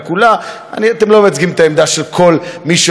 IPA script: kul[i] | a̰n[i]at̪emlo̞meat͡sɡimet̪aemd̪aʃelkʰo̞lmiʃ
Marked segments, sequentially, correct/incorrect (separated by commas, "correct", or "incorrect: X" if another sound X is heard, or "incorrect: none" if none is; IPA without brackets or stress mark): incorrect: a, correct